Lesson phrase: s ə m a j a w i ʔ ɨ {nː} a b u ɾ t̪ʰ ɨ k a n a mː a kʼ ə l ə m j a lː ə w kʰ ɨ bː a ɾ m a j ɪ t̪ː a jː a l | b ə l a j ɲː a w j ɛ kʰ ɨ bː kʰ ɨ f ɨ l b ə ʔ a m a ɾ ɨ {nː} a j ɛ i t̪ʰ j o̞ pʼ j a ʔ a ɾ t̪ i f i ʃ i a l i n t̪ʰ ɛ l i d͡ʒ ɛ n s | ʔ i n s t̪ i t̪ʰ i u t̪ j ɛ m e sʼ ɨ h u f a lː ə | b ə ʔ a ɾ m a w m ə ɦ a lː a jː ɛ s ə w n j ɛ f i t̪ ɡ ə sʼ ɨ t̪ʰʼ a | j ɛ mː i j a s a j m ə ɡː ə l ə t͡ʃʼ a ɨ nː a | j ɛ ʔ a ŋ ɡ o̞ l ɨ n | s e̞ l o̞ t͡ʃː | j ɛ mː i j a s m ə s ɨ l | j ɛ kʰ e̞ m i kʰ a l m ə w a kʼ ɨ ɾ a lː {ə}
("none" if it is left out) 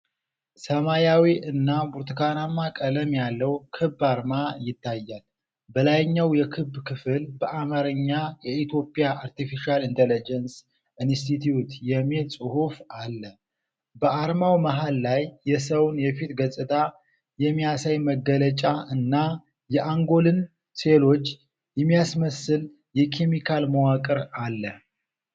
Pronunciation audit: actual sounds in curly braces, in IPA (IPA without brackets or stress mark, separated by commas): nː, ɲː, ə